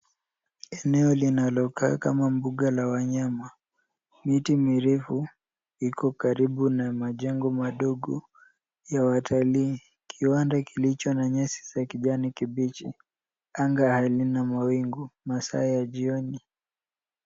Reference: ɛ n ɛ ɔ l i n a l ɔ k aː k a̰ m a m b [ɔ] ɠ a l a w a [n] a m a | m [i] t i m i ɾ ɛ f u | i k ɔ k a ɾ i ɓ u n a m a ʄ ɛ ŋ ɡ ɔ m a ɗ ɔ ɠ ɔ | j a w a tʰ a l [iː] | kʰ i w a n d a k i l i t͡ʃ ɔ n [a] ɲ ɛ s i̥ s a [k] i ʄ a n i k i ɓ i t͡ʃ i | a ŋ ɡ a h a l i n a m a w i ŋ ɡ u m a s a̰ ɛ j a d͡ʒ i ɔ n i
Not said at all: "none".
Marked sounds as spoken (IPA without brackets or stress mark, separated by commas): u, ɲ, i, iː, a, k